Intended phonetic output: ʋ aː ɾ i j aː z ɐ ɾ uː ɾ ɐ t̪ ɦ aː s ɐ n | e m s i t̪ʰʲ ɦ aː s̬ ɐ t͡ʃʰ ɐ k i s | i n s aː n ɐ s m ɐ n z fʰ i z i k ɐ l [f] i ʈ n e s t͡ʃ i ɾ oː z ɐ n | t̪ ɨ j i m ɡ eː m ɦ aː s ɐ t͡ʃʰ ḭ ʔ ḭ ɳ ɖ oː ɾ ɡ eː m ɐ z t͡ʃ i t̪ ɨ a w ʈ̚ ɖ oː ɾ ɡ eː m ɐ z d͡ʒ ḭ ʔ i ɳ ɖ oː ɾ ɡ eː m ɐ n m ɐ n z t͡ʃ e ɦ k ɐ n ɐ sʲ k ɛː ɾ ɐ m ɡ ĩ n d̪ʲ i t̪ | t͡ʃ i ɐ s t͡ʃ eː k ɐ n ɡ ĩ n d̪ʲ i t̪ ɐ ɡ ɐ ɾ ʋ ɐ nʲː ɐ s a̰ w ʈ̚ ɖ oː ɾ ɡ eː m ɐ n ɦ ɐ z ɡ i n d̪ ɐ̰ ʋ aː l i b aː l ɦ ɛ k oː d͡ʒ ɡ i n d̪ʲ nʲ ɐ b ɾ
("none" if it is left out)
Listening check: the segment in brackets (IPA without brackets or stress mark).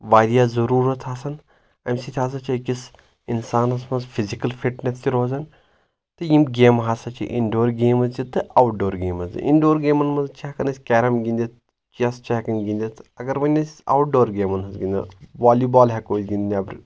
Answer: f